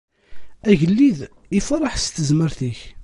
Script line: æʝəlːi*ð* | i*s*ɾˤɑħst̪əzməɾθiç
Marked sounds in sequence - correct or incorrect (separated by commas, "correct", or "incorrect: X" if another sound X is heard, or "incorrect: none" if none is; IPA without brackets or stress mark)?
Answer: correct, incorrect: f